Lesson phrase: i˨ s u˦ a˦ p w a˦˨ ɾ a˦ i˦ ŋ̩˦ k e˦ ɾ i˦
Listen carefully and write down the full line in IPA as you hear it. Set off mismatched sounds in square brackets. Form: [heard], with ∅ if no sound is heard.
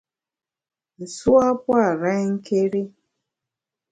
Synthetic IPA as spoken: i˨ s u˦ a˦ p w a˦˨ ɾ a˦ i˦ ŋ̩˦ k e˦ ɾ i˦